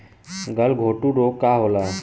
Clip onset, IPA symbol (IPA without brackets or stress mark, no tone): ɡ